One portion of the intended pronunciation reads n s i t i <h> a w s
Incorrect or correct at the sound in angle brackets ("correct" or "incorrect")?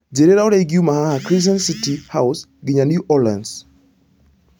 correct